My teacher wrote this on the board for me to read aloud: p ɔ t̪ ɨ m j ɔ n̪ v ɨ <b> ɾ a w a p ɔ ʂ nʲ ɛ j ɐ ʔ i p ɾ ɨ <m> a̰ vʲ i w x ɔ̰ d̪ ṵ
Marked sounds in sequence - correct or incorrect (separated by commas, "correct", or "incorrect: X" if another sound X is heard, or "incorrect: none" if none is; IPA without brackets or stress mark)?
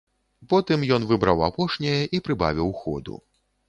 correct, incorrect: b